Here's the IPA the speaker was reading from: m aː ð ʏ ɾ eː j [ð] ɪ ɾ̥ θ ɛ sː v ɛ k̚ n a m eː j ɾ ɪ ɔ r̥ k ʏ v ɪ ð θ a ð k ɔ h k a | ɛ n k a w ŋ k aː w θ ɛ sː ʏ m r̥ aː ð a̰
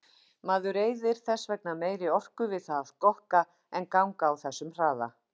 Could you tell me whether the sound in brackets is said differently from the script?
no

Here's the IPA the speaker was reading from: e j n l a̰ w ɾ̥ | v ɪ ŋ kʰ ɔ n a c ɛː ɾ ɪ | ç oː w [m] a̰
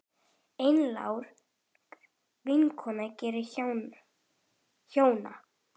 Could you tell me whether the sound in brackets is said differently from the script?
yes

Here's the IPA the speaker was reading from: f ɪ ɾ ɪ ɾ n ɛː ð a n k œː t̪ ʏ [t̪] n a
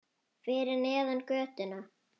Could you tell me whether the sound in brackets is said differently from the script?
yes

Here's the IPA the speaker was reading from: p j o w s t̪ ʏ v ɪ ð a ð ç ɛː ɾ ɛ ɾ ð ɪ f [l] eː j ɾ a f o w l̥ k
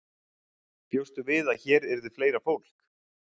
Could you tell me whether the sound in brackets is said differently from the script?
no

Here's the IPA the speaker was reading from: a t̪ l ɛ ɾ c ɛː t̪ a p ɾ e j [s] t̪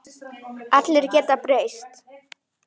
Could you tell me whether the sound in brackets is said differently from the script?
no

